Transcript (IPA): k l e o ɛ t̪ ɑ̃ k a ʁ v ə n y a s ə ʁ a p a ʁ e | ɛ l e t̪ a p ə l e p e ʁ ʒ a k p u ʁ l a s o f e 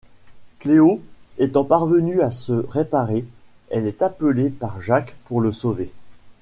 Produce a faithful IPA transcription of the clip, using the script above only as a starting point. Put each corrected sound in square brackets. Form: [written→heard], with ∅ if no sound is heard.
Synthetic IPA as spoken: k l e o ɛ t̪ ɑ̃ [k→p] a ʁ v ə n y a s ə ʁ [a→e] p a ʁ e | ɛ l [e→ɛ] t̪ a p ə l e p [e→a] ʁ ʒ a k p u ʁ l [a→ə] s o [f→v] e